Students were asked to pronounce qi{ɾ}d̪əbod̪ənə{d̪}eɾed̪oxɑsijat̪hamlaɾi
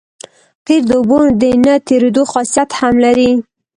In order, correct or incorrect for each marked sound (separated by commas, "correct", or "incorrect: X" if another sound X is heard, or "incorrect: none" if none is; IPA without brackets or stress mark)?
correct, incorrect: t̪